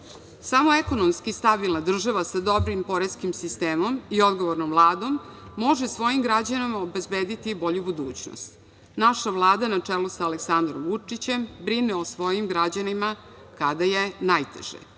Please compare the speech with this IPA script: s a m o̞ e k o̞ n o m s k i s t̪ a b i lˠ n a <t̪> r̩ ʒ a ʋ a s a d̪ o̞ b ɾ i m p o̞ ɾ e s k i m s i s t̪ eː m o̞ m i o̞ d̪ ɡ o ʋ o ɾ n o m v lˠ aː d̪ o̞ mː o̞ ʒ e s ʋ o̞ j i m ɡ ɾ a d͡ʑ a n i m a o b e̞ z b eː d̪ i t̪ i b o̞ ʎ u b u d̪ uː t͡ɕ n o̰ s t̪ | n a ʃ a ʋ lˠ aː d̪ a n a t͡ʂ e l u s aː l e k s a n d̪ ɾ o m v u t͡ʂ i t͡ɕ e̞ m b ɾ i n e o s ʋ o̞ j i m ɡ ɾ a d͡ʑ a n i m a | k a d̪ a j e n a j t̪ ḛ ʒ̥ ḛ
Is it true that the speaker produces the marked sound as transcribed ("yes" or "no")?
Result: no